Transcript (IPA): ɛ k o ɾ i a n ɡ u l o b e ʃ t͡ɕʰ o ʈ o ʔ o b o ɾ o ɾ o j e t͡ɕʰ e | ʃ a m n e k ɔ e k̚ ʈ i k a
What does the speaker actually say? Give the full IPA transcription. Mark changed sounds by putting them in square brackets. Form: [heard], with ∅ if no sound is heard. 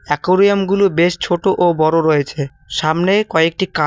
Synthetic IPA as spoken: ɛ k o ɾ i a [m] ɡ u l o b e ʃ t͡ɕʰ o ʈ o ʔ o b [ɔ] ɾ o ɾ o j e t͡ɕʰ e | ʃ a m n e k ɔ e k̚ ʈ i k a